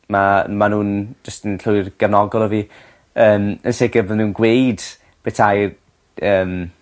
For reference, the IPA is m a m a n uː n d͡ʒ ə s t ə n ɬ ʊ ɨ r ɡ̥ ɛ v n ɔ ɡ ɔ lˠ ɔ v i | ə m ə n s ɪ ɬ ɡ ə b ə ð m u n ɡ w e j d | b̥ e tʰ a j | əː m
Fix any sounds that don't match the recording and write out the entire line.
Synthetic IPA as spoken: m a m a n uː n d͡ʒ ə s t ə n ɬ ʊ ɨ r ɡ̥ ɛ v n ɔ ɡ ɔ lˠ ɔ v i | əː m ə n s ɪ ɡ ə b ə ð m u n ɡ w e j d | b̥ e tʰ a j | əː m